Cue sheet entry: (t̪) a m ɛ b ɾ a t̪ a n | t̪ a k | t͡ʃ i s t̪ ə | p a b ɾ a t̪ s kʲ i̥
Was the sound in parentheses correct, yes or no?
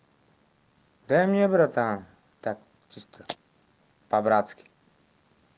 no